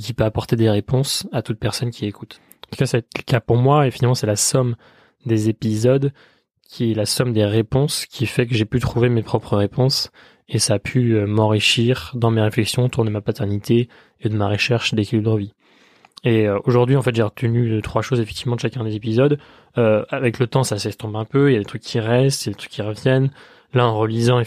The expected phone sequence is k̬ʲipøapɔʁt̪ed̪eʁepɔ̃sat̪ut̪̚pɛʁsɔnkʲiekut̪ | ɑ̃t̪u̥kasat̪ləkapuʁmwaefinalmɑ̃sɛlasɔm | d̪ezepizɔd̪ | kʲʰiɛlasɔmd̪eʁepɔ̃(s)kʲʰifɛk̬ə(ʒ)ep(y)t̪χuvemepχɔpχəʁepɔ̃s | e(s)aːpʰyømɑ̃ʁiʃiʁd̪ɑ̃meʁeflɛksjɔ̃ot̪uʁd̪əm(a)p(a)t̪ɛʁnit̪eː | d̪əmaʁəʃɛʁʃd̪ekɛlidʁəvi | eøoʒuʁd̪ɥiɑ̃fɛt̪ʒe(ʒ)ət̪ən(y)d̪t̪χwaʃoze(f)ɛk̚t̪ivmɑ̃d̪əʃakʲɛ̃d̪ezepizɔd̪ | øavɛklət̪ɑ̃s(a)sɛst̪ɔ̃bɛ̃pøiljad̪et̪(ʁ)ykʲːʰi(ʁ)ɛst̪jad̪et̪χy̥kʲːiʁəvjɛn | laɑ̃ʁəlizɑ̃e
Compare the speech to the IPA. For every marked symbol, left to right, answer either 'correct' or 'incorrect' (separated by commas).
correct, correct, correct, correct, correct, correct, incorrect, correct, correct, correct, incorrect, correct